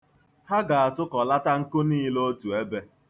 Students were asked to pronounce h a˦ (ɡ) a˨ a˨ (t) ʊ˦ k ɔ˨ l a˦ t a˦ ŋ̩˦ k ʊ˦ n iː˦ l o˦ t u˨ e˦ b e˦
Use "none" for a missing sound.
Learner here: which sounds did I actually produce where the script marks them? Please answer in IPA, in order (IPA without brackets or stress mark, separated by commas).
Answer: ɡ, t